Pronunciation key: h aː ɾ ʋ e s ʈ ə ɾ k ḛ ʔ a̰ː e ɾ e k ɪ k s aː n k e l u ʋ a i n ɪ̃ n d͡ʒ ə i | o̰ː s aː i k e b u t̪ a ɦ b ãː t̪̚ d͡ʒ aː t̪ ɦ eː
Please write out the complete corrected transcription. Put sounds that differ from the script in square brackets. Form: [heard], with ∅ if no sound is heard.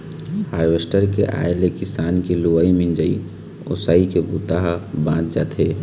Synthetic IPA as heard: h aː ɾ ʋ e s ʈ ə ɾ k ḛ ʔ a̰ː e [l] e k ɪ [∅] s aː n k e l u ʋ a i [m] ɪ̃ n d͡ʒ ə i | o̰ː s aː i k e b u t̪ a ɦ b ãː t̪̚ d͡ʒ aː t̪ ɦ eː